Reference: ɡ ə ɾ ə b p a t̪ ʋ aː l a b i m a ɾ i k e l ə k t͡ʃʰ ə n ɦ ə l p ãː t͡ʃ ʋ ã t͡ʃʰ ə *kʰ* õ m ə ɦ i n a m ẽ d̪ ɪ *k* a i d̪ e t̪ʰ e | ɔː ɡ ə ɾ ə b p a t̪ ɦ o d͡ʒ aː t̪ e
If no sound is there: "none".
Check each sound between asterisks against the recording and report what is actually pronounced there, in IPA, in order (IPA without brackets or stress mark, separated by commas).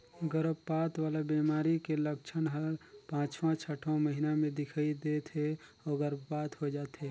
ʈʰ, kʰ